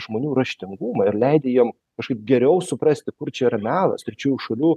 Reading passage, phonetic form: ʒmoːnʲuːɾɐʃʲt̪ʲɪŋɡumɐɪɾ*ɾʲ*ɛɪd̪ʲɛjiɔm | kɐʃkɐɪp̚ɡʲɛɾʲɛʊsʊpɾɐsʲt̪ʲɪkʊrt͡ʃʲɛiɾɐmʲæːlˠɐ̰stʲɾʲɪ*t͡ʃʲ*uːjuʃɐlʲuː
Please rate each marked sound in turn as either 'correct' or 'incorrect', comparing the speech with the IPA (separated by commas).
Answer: incorrect, correct